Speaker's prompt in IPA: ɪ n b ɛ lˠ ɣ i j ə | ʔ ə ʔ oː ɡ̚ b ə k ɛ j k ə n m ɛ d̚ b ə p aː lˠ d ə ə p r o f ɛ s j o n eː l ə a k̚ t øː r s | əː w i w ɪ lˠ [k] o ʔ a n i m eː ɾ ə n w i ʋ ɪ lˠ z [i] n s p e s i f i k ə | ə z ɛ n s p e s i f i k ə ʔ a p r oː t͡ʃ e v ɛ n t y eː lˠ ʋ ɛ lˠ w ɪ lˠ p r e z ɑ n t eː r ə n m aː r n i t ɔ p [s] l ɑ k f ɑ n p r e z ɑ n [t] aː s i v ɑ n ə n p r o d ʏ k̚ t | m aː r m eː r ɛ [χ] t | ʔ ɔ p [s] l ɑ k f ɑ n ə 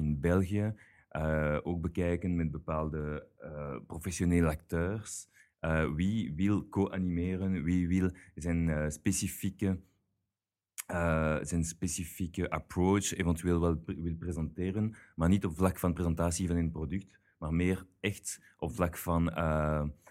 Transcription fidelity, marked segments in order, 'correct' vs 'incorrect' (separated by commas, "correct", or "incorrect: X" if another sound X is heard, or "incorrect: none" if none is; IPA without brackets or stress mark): correct, incorrect: ɛ, incorrect: f, correct, incorrect: x, incorrect: f